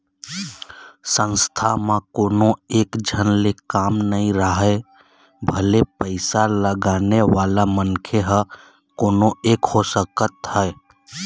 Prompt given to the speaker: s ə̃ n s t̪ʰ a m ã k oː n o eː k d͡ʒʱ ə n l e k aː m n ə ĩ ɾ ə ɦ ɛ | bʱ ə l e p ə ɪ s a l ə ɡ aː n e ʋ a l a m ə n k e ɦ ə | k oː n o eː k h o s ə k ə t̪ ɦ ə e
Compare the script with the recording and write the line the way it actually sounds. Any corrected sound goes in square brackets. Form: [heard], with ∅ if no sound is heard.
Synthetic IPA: s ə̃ n s t̪ʰ a m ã k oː n o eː k d͡ʒʱ ə n l e k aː m n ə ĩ ɾ ə ɦ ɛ | bʱ ə l e p ə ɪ s a l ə ɡ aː n e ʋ a l a m ə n [kʰ] e ɦ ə | k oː n o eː k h o s ə k ə t̪ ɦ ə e